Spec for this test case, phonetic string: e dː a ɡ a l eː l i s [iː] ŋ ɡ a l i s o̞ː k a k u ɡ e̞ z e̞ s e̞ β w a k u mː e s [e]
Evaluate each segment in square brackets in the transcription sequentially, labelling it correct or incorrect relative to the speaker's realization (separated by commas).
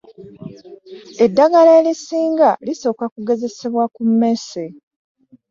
correct, correct